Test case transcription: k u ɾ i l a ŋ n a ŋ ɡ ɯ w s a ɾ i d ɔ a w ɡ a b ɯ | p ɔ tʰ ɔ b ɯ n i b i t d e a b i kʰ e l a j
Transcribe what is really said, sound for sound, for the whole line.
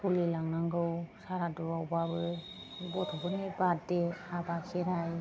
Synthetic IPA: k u l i l a ŋ n a ŋ ɡ ɯ w s a ɾ a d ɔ a w b a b ɯ | b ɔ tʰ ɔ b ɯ n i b a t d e a b a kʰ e ɾ a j